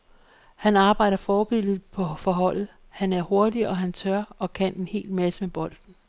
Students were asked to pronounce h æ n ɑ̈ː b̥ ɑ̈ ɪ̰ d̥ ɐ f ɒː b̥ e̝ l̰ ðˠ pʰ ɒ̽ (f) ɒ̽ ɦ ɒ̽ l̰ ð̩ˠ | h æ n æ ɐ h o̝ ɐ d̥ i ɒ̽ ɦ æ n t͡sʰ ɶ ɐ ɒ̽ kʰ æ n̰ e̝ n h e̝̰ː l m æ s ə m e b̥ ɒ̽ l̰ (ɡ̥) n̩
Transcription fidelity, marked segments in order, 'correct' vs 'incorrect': correct, incorrect: d̥

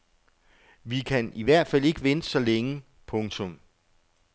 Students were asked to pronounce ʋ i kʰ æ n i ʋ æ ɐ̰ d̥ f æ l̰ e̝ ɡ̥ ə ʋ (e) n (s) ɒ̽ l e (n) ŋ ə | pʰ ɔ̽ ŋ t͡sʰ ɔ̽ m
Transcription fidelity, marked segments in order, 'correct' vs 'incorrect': correct, correct, incorrect: none

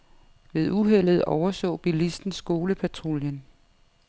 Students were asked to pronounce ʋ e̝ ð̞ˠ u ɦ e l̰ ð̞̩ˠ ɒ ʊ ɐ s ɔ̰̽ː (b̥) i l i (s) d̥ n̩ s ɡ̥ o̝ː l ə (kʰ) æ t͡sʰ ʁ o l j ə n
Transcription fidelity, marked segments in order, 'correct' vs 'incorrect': correct, correct, incorrect: pʰ

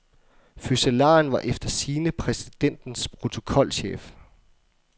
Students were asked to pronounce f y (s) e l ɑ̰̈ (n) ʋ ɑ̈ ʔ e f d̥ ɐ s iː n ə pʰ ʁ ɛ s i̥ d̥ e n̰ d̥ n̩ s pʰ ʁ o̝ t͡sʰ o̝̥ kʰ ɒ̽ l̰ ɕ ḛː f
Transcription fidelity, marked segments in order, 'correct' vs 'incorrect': correct, correct

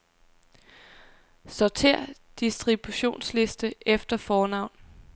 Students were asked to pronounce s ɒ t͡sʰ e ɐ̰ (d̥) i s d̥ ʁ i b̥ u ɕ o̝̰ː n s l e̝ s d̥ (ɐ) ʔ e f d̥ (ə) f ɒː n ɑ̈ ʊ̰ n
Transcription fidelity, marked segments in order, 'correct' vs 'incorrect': correct, incorrect: ə, incorrect: ɐ

